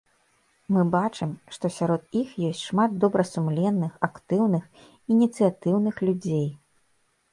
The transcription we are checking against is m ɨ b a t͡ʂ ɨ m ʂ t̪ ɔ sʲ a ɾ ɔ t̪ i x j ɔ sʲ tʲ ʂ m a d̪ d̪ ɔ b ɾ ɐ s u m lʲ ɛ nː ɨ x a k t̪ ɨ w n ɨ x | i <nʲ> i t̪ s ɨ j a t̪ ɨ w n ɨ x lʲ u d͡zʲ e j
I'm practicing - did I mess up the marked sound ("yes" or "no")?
no